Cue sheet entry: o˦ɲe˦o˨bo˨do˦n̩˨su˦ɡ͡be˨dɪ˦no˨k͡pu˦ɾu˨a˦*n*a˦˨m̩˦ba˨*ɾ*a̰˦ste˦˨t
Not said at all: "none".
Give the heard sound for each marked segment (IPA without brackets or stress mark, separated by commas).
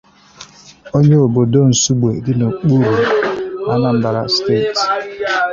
n, ɾ